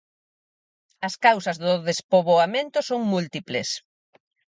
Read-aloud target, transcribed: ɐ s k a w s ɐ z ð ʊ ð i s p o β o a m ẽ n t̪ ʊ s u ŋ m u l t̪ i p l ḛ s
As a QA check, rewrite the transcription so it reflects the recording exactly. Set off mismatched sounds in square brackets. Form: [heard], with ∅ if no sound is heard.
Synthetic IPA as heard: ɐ s k a w s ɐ z ð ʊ ð [e] s p o β o a m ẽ n t̪ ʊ s [o] ŋ m u l t̪ i p l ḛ s